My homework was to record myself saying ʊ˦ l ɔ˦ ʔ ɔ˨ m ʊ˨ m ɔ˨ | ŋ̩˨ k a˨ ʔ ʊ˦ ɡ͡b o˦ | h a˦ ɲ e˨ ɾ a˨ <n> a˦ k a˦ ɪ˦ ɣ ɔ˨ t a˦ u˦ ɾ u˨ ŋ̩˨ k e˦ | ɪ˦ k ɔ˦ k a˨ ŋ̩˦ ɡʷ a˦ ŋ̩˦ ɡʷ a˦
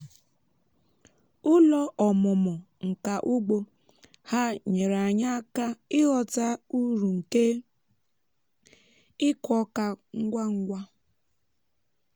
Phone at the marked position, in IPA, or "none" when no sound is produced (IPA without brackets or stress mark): ɲ